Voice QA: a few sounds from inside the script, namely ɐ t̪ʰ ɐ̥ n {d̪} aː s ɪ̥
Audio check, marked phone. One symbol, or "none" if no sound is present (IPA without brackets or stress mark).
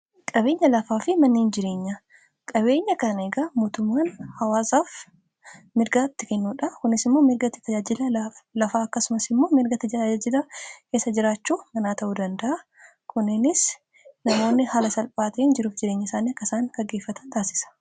t̪